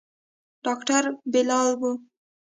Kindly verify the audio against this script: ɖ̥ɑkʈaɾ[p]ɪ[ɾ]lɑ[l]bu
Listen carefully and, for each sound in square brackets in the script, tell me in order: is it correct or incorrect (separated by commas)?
incorrect, incorrect, correct